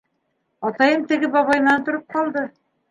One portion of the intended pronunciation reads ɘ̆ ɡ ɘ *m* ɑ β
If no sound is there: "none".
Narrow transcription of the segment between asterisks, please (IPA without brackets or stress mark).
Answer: b